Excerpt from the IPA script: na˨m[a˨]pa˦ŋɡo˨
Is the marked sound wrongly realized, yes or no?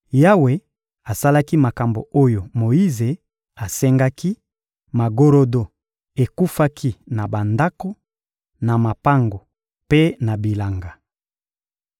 no